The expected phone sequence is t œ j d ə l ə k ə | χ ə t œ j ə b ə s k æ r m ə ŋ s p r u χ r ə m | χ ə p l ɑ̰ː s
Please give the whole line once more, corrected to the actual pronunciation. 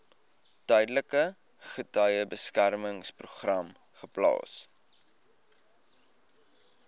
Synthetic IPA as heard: t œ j d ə l ə k ə | χ ə t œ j ə b ə s k æ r m ə ŋ s p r u χ r ɐ m | χ ə p l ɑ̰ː s